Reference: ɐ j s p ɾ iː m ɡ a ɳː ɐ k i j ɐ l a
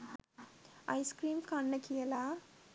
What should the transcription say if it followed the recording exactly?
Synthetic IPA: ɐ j s k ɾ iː m k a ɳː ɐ k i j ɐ l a